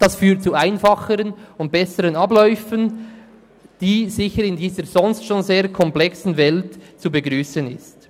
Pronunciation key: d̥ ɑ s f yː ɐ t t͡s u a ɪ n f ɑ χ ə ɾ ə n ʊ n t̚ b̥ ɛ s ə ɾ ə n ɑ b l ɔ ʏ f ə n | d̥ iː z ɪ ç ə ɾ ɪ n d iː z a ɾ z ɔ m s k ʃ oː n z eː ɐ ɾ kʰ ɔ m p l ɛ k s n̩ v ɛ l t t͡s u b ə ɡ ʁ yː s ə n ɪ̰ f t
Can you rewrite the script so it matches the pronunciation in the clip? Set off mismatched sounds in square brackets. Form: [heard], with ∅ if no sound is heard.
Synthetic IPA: d̥ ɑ s f yː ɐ t t͡s u a ɪ n f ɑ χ ə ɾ ə n ʊ n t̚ b̥ ɛ s ə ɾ ə n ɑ b l ɔ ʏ f ə n | d̥ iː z ɪ ç ə ɾ ɪ n d iː z [ə] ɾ z ɔ [n] s [t] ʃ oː n z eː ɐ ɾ kʰ ɔ m p l ɛ k s n̩ v ɛ l t t͡s u b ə ɡ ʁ yː s ə n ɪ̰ [s] t